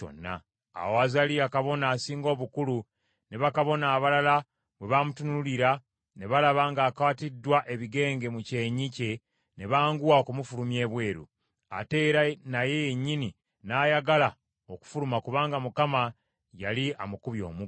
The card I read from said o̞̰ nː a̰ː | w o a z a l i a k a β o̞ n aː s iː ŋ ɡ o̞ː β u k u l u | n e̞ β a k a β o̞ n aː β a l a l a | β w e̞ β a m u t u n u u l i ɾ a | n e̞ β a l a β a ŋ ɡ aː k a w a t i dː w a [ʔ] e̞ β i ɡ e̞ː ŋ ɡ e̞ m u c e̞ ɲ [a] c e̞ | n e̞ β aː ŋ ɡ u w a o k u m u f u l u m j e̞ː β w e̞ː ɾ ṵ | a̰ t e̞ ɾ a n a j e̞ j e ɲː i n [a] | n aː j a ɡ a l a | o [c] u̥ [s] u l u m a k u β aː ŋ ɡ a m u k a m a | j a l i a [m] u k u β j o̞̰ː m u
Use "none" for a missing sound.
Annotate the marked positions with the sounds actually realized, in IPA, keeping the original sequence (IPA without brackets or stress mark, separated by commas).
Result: ʔ, i, i, k, f, m